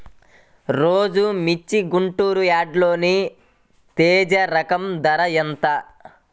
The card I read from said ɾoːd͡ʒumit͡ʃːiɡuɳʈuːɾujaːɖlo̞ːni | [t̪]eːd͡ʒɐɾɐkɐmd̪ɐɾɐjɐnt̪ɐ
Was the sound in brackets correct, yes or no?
yes